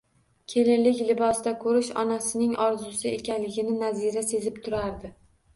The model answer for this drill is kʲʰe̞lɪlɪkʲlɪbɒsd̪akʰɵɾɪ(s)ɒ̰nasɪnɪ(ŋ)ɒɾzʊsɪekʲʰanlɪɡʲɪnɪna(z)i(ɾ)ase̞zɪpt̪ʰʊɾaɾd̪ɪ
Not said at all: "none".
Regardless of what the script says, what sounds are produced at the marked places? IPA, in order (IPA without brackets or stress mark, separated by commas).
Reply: ʃ, ŋ, z, ɾ